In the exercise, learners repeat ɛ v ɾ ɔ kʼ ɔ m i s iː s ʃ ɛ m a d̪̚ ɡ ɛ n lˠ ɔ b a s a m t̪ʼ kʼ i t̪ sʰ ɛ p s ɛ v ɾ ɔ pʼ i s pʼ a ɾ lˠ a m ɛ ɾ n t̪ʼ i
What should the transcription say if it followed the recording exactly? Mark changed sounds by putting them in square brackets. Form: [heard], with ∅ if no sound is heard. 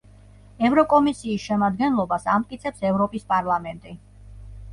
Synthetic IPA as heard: ɛ v ɾ ɔ kʼ ɔ m i s iː s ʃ ɛ m a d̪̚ ɡ ɛ n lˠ ɔ b a s a m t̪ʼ kʼ i t̪ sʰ ɛ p s ɛ v ɾ ɔ pʼ i s pʼ a ɾ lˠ a m ɛ [∅] n t̪ʼ i

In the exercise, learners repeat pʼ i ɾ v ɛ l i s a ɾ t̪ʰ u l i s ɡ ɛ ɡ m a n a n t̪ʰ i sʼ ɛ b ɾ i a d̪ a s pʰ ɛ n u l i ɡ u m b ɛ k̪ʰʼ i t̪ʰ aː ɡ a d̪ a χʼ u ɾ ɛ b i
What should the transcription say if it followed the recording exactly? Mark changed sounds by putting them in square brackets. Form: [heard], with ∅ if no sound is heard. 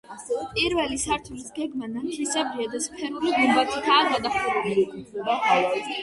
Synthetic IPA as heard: pʼ i ɾ v ɛ l i s a ɾ t̪ʰ u l i s ɡ ɛ ɡ m a n a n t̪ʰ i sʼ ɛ b ɾ i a d̪ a s pʰ ɛ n u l i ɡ u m b [a] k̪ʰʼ i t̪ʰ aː ɡ a d̪ a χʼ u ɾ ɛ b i

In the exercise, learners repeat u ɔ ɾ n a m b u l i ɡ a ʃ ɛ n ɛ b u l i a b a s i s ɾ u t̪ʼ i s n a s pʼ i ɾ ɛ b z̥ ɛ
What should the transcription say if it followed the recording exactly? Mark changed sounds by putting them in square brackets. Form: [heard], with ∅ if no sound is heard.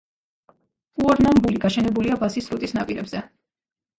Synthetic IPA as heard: u ɔ ɾ n a m b u l i ɡ a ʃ ɛ n ɛ b u l i a b a s i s ɾ u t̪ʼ i s n a [∅] pʼ i ɾ ɛ b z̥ ɛ

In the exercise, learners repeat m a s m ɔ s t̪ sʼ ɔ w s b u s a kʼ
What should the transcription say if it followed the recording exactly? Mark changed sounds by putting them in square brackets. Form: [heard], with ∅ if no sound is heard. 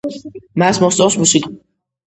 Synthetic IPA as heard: m a s m ɔ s t̪ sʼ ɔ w s [m] u s [i] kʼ

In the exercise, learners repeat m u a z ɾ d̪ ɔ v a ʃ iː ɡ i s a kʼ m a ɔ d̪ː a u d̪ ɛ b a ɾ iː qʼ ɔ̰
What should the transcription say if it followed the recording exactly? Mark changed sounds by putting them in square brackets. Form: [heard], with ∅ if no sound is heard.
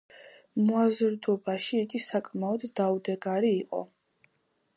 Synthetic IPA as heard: m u a z ɾ d̪ ɔ [b] a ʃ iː ɡ i s a kʼ m a ɔ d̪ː a u d̪ ɛ [ɡ] a ɾ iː qʼ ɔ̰

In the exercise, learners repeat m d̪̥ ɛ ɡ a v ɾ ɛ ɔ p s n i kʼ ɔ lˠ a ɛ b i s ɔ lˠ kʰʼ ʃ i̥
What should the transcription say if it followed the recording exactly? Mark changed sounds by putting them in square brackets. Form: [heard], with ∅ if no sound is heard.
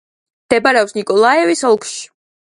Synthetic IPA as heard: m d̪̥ ɛ [b] a [∅] ɾ ɛ ɔ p s n i kʼ ɔ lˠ a ɛ [v] i s ɔ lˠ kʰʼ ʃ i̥

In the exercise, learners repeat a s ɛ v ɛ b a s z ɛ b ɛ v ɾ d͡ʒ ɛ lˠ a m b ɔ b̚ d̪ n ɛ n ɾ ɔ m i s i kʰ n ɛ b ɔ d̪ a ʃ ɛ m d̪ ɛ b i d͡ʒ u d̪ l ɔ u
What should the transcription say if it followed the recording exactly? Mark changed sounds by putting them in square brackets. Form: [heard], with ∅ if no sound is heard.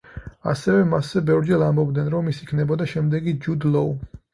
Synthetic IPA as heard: a s ɛ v ɛ [m] a s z ɛ b ɛ v ɾ d͡ʒ ɛ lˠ a m b ɔ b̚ d̪ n ɛ n ɾ ɔ m i s i kʰ n ɛ b ɔ d̪ a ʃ ɛ m d̪ ɛ [ɡ] i d͡ʒ u d̪ l ɔ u

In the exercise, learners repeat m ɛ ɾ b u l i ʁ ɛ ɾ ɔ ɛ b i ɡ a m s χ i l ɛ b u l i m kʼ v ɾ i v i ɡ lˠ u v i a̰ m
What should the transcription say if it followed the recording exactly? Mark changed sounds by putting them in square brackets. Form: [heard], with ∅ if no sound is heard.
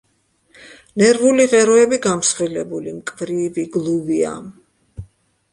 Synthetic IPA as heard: [n] ɛ ɾ [v] u l i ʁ ɛ ɾ ɔ ɛ b i ɡ a m s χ i l ɛ b u l i m kʼ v ɾ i v i ɡ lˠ u v i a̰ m

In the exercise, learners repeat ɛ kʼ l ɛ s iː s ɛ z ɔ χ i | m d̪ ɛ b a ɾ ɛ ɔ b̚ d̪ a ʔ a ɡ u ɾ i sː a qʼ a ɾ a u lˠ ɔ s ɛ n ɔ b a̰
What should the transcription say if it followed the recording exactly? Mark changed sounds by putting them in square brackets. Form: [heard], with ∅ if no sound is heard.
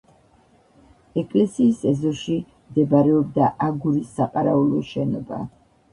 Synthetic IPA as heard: ɛ kʼ l ɛ s iː s ɛ z ɔ [ʃ] i | m d̪ ɛ b a ɾ ɛ ɔ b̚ d̪ a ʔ a ɡ u ɾ i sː a qʼ a ɾ a u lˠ ɔ [ʃ] ɛ n ɔ b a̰

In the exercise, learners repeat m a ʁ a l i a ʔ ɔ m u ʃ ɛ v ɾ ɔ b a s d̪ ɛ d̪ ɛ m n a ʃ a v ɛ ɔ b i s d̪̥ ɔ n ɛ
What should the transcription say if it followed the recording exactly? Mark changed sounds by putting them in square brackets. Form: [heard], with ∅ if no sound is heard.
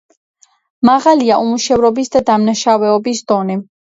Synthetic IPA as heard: m a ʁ a l i a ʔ [u] m u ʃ ɛ v ɾ ɔ b [i] s d̪ [a] d̪ [a] m n a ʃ a v ɛ ɔ b i s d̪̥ ɔ n ɛ

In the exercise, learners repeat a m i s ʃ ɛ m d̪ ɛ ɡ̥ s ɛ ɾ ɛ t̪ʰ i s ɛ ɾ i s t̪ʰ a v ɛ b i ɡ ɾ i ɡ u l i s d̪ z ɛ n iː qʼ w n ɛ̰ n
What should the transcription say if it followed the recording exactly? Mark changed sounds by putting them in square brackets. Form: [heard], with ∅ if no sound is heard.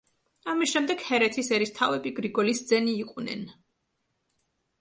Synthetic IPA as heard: a m i s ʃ ɛ m d̪ ɛ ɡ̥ [h] ɛ ɾ ɛ t̪ʰ i s ɛ ɾ i s t̪ʰ a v ɛ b i ɡ ɾ i ɡ [ɔ] l i s d̪ z ɛ n iː qʼ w n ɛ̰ n

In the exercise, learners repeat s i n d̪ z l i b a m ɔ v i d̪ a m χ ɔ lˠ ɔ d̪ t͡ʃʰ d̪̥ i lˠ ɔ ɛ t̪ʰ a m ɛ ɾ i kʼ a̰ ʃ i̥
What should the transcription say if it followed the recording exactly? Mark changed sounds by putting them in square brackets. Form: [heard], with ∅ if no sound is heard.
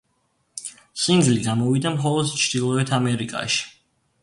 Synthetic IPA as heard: s i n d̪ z l i [ɡ] a m ɔ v i d̪ a m χ ɔ lˠ ɔ d̪ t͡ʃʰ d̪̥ i lˠ ɔ ɛ t̪ʰ a m ɛ ɾ i kʼ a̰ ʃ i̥

